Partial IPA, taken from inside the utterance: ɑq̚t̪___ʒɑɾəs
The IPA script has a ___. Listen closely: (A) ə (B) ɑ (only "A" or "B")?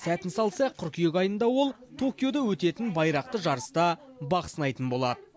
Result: A